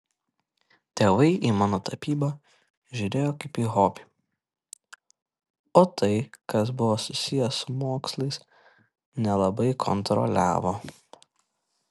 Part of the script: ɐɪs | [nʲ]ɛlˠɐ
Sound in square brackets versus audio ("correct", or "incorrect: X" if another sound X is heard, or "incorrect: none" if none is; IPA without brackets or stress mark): correct